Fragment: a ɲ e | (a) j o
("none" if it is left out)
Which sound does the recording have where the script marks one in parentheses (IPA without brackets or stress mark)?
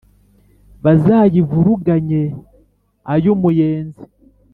a